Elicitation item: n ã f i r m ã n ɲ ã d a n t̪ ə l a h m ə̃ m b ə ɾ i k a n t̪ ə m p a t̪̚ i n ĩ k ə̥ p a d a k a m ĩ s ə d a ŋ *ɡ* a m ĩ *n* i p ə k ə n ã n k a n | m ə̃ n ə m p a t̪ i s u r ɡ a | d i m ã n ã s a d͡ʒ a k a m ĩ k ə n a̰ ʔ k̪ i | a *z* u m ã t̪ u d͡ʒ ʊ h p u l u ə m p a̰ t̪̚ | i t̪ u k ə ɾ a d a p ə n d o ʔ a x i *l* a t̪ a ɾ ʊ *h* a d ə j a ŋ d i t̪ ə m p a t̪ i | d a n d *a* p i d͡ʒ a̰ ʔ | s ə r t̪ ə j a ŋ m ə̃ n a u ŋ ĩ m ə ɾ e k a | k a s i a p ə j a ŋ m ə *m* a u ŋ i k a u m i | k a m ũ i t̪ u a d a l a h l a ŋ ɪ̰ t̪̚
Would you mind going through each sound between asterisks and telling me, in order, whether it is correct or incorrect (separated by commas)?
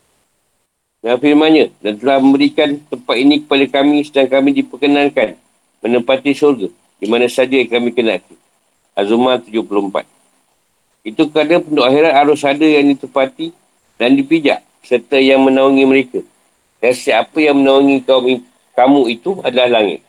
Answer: incorrect, incorrect, correct, incorrect, incorrect, incorrect, incorrect